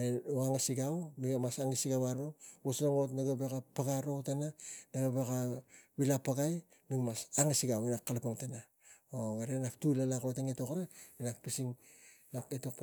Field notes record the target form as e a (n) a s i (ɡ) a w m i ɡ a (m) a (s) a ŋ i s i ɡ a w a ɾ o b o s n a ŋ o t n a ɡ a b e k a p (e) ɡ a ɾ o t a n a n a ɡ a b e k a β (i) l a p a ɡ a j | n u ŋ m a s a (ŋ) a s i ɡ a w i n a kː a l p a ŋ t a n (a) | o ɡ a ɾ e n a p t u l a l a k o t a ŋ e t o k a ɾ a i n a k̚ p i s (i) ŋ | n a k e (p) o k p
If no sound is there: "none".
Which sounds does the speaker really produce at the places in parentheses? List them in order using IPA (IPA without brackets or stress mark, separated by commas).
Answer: ŋ, ɡ, m, s, a, i, ŋ, a, i, t